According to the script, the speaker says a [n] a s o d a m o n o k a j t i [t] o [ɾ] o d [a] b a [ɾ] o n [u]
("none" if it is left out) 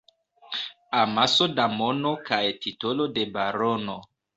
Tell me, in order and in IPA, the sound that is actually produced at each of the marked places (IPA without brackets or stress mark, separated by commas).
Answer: m, t, l, e, ɾ, o